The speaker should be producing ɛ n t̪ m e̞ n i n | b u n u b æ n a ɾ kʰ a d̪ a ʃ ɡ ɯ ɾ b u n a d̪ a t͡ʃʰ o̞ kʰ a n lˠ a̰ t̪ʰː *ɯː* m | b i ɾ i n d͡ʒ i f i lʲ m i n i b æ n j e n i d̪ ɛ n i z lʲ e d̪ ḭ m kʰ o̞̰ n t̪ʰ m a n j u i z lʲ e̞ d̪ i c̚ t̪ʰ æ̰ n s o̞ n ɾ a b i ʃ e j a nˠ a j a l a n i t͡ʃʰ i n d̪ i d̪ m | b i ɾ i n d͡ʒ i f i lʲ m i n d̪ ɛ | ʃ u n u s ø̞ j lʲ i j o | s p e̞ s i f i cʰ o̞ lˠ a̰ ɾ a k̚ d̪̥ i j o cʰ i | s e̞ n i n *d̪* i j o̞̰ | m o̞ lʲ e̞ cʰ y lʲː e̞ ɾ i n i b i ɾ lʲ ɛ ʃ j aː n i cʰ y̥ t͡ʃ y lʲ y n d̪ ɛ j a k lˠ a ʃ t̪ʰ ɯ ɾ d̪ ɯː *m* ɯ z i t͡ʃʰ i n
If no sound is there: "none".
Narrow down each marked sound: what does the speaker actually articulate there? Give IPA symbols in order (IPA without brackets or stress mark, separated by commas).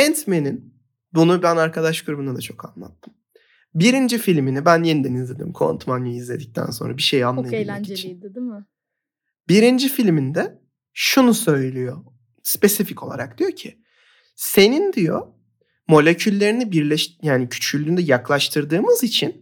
ɯ, d̪, m